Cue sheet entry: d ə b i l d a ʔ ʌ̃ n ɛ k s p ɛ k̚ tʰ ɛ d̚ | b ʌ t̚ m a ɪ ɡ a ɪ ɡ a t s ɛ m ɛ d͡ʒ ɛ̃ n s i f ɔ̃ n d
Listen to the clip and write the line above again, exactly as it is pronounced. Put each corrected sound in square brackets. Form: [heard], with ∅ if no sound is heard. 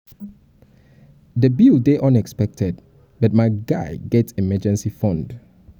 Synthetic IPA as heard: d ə b i l d [e] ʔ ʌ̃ n ɛ k s p ɛ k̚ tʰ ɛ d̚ | b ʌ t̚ m a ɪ ɡ a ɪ ɡ [ɛ] t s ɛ m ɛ d͡ʒ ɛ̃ n s i f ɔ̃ n d